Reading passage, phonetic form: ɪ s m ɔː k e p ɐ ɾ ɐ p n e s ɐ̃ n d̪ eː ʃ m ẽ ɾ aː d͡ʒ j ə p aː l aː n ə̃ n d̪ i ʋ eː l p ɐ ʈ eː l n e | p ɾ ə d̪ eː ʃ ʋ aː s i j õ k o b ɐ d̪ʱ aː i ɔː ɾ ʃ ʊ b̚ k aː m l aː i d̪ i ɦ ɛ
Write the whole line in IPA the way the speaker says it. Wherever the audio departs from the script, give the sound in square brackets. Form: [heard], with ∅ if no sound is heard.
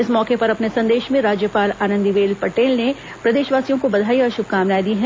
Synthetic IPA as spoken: ɪ s m ɔː k e p ɐ ɾ ɐ p n e s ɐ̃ n d̪ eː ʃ m ẽ ɾ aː d͡ʒ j ə p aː l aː n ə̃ n d̪ i ʋ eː l p ɐ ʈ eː l n e | p ɾ [ɐ] d̪ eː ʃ ʋ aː s i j õ k o b ɐ d̪ʱ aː i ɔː ɾ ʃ ʊ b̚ k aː m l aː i d̪ i ɦ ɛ